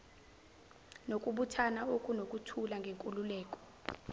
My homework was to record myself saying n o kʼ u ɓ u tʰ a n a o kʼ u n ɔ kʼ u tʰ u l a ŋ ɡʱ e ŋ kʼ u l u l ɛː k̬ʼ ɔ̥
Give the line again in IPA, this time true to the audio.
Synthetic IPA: n o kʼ u ɓ u tʰ a n a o kʼ u n o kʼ u tʰ u l a ŋ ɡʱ e ŋ kʼ u l u l ɛː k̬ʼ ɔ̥